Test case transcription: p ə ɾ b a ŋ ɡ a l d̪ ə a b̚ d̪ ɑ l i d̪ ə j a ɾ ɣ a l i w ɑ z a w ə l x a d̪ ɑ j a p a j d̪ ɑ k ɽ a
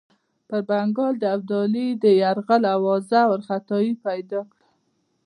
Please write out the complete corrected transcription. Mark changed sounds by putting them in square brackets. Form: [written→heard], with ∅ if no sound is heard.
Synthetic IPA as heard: p ə ɾ b a ŋ ɡ [a→ɑ] l d̪ ə a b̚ d̪ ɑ l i d̪ ə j a ɾ ɣ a l [i→a] w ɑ z a w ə [l→ɾ] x a [d̪→t̪] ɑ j [a→i] p a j d̪ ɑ k ɽ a